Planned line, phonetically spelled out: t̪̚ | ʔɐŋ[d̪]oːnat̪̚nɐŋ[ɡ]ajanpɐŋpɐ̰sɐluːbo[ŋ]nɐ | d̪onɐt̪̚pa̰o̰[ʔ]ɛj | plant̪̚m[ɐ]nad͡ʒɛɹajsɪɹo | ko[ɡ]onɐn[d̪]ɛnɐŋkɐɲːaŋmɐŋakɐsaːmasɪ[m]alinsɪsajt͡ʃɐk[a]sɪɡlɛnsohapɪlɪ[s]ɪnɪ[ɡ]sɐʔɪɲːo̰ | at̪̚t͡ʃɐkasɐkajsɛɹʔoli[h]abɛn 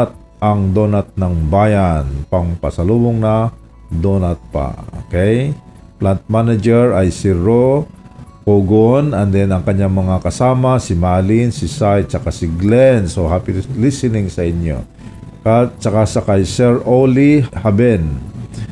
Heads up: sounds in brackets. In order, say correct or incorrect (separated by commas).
correct, incorrect, correct, incorrect, incorrect, correct, correct, correct, correct, correct, incorrect, correct